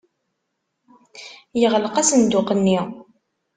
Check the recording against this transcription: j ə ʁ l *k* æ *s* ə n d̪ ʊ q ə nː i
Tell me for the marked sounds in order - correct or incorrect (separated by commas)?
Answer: incorrect, correct